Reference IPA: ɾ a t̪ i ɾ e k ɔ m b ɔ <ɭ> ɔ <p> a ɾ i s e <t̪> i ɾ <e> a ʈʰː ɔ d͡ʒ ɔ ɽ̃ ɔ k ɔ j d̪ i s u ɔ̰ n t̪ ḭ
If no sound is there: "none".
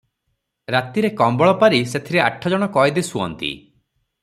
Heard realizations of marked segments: ɭ, p, t̪ʰ, e

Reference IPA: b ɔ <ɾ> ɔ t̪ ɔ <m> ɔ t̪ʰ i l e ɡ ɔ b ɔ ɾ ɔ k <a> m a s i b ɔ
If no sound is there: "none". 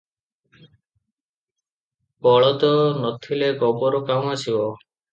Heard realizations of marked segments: ɭ, n, a

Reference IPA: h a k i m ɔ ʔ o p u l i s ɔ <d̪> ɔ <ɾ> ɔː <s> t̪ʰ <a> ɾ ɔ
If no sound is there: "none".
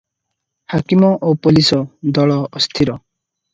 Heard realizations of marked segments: d̪, ɭ, s, i

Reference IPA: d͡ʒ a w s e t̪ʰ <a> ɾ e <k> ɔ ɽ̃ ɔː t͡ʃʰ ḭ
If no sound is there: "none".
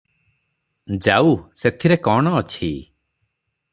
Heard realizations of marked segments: i, k

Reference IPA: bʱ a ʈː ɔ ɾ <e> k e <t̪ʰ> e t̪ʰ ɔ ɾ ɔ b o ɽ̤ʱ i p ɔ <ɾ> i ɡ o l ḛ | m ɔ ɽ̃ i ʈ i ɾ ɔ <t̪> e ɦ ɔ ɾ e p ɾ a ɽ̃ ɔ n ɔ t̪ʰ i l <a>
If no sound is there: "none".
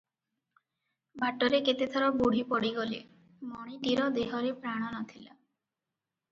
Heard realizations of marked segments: e, t̪, ɽ, d̪, a

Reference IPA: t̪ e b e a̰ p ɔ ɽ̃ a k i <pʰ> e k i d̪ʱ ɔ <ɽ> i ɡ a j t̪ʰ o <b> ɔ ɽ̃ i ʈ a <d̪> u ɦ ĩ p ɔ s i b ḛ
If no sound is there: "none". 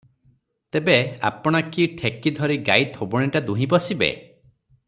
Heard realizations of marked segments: ʈʰ, ɾ, b, d̪

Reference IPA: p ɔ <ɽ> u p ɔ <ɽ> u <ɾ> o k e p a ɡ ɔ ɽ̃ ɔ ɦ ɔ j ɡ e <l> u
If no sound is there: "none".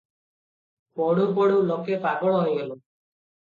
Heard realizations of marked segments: ɽ, ɽ, l, l

